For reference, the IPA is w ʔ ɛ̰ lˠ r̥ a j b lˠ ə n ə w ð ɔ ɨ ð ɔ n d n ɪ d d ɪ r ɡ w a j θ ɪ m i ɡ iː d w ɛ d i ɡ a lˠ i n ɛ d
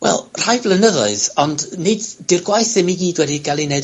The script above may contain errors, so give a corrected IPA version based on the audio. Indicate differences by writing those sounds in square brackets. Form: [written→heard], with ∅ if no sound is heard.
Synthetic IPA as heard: w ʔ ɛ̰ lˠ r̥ a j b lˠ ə n ə [w→∅] ð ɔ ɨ ð ɔ n d n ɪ d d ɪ r ɡ w a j θ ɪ m i ɡ iː d w ɛ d i ɡ a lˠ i n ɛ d